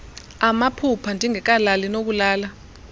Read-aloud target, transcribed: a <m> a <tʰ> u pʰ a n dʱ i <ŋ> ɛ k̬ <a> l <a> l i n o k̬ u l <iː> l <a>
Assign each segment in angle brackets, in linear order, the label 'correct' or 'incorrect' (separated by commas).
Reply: correct, incorrect, correct, correct, correct, incorrect, correct